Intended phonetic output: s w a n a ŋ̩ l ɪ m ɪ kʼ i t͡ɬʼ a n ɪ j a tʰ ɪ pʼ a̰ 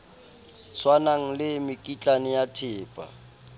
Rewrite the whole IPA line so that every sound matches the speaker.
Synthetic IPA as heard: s w a n a ŋ̩ l ɪ m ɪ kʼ i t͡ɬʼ a n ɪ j a tʰ ɪː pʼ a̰

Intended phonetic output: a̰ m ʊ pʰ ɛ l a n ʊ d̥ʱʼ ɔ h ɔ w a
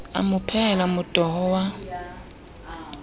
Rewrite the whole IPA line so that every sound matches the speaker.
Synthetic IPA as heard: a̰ m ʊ pʰ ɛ l a m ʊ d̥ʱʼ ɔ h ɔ w a

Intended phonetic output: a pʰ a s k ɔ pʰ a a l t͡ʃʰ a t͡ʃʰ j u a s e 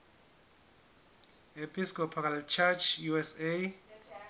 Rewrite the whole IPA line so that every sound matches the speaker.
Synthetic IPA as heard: e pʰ i s k ɔ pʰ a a l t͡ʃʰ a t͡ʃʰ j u ɛ s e

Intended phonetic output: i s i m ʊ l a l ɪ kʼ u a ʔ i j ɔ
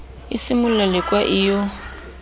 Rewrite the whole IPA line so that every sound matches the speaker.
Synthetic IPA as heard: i s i m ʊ l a l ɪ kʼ w a ʔ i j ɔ

